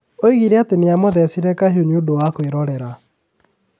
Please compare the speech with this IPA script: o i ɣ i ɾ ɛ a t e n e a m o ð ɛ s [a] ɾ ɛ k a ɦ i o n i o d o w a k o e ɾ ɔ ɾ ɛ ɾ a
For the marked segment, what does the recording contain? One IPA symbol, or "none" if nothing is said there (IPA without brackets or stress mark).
i